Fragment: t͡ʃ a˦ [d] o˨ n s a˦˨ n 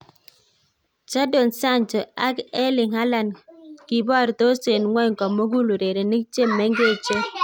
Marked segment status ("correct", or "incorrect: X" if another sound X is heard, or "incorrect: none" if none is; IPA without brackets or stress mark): correct